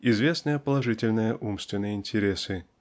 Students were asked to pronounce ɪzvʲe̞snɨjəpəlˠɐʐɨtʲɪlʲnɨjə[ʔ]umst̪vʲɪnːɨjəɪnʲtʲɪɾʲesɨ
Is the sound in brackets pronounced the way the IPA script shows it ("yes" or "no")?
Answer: yes